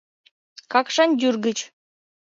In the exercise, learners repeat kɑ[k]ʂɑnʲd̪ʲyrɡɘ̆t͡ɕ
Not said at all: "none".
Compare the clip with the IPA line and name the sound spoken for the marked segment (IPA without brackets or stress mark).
k